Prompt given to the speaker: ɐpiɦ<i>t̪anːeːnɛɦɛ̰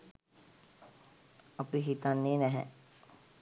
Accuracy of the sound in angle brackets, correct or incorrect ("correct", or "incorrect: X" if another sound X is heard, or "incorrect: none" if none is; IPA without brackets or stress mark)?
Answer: correct